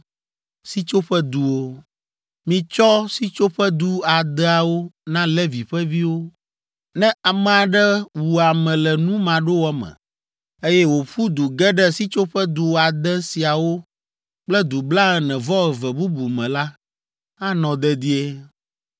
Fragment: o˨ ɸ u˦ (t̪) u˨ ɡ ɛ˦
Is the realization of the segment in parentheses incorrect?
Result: yes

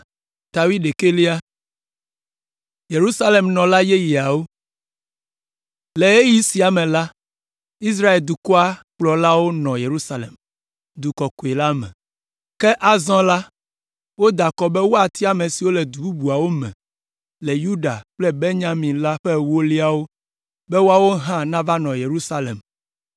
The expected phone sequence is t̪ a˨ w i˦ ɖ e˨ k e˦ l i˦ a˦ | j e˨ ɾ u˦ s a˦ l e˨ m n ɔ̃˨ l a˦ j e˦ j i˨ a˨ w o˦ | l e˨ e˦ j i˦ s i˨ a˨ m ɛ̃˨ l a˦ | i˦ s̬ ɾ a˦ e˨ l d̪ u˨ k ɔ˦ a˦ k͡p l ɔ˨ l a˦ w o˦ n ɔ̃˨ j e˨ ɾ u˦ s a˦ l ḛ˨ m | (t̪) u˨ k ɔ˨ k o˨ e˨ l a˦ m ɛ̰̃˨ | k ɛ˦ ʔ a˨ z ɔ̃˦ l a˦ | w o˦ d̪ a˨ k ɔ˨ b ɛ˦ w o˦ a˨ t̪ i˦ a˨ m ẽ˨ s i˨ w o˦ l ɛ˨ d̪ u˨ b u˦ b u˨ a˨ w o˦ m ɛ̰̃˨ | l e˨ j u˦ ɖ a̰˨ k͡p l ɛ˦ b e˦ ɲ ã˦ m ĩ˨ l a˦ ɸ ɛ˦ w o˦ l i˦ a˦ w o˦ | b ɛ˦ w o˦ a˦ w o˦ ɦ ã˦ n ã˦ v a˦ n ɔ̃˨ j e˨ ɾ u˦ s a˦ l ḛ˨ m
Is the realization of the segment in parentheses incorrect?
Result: yes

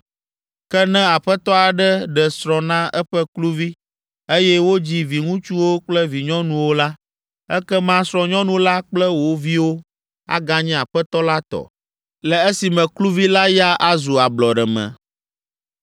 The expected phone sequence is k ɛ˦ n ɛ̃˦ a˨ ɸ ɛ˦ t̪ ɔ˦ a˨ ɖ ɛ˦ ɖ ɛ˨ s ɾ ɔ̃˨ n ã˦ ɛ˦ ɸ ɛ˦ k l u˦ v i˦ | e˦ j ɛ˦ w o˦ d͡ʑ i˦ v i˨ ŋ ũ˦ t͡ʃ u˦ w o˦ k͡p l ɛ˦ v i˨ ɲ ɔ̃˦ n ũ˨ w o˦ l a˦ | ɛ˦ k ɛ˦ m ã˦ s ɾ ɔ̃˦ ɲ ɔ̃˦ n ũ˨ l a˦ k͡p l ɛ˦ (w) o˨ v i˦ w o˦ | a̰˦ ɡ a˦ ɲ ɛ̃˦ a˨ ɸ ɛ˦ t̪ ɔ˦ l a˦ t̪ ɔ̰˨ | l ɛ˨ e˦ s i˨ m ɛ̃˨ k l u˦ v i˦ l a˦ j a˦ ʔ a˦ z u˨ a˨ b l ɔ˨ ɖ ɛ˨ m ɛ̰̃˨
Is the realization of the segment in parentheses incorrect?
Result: no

